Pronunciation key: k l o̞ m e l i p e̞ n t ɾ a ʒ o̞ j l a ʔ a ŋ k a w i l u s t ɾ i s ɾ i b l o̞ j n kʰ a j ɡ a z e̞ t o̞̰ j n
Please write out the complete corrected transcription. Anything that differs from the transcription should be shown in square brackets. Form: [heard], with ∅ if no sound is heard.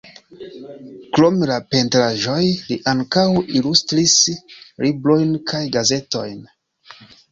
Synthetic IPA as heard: k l o̞ m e l [a] p e̞ n t ɾ a ʒ o̞ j l [i] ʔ a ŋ k a w i l u s t ɾ i s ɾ i b l o̞ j n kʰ a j ɡ a z e̞ t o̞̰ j n